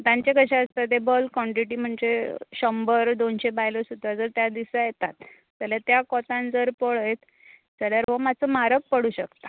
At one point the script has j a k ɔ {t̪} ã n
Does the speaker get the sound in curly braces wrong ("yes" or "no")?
no